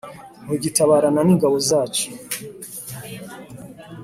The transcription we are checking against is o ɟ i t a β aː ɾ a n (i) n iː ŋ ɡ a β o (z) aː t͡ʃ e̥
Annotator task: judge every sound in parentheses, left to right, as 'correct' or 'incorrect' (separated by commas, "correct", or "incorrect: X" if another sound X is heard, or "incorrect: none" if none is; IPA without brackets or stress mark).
incorrect: a, correct